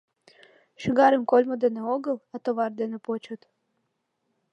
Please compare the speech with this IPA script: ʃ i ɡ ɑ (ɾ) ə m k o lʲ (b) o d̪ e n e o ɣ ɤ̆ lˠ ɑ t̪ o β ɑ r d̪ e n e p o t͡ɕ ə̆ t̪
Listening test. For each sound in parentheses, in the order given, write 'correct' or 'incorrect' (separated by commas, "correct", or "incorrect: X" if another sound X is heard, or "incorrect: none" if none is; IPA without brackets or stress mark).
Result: correct, incorrect: m